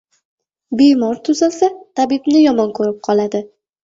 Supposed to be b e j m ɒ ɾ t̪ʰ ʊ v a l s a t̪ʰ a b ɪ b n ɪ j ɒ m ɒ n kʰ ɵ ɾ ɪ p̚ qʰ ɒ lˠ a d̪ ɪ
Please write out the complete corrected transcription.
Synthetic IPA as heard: b e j m ɒ ɾ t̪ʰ ʊ z a l s a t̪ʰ a b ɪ b n ɪ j ɒ m ɒ n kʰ ɵ ɾ ɪ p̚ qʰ ɒ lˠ a d̪ ɪ